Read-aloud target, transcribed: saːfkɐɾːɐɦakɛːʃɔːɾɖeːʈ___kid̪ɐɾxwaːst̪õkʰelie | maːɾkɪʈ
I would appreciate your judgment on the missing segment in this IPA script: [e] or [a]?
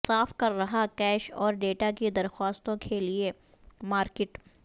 a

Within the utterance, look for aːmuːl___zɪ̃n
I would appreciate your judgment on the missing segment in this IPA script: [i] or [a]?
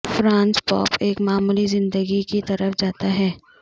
i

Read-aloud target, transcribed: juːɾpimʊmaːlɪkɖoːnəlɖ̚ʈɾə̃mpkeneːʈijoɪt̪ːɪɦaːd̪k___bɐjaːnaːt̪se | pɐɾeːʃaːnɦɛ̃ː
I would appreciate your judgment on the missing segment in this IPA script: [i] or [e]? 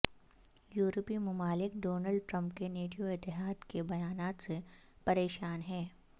e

